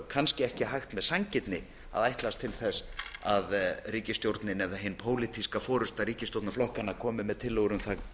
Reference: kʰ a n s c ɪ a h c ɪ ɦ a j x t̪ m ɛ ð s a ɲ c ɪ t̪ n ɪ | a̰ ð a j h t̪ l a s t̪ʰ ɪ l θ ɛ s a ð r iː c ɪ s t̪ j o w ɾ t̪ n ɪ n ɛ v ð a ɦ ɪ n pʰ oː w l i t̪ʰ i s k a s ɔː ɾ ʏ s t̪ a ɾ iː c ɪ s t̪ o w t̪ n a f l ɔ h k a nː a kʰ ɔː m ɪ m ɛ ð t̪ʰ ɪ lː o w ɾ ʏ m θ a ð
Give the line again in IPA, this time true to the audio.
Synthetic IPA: kʰ a n s c ɪ ɛ h c ɪ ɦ a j x t̪ m ɛ ð s a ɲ c ɪ t̪ n ɪ | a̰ ð a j h t̪ l a s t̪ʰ ɪ l θ ɛ s a ð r iː c ɪ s t̪ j o w ɾ t̪ n ɪ n ɛ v ð a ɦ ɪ n pʰ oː w l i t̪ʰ i s k a f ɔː ɾ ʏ s t̪ a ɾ iː c ɪ s t̪ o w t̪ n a f l ɔ h k a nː a kʰ ɔː m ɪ m ɛ ð t̪ʰ ɪ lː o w ɾ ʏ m θ a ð